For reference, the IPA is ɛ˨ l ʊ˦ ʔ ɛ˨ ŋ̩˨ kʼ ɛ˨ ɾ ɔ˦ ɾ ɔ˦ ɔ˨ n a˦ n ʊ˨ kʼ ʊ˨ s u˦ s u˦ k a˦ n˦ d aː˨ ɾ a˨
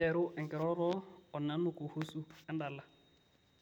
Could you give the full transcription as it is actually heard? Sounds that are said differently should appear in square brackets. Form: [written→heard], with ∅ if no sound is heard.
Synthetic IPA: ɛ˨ [l→ɾ] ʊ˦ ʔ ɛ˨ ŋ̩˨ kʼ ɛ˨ ɾ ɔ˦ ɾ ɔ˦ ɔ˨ n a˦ n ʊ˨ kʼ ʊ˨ [s→h] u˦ s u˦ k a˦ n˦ d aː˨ [ɾ→l] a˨